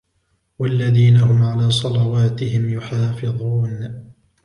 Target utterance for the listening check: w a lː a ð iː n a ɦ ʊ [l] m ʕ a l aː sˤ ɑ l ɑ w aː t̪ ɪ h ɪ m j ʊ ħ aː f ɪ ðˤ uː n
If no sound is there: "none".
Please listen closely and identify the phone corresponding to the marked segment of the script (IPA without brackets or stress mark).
none